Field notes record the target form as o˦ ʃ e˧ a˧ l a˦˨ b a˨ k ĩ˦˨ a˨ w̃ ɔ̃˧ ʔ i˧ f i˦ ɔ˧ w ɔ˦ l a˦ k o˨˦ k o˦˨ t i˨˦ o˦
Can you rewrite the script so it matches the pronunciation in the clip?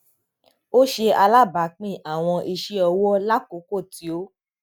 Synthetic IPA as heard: o˦ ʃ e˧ a˧ l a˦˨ b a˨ k͡p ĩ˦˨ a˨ w̃ ɔ̃˧ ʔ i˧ ʃ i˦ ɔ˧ w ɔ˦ l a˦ k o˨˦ k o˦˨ t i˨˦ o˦